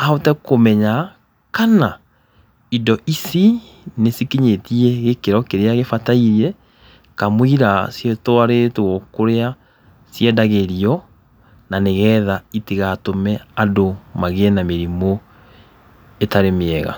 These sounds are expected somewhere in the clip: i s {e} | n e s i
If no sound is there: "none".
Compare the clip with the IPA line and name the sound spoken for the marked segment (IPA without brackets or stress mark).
i